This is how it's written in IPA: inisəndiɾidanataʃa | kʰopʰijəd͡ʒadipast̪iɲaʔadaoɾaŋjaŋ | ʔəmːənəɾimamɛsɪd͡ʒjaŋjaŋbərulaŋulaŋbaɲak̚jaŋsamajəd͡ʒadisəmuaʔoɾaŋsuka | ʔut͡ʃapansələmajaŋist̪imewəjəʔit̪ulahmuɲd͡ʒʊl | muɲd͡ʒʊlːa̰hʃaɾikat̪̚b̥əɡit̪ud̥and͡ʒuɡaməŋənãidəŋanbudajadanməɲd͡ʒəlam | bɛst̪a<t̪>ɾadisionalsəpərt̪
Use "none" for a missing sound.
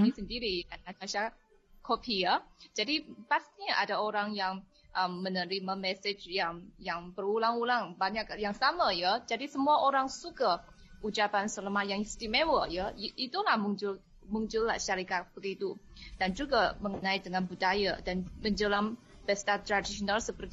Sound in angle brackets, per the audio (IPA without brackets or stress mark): t̪